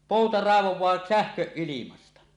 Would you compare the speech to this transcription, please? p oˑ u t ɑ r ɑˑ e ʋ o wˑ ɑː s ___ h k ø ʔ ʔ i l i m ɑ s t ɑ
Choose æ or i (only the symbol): æ